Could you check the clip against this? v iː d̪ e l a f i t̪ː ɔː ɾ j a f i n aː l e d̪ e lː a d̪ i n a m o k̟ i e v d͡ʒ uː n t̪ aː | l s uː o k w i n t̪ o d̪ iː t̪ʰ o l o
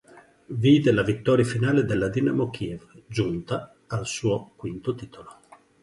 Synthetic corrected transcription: v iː d̪ e l a v i t̪ː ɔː ɾ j a f i n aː l e d̪ e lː a d̪ i n a m o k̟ i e v d͡ʒ u n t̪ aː | l s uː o k w i n t̪ o t̪ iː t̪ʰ o l o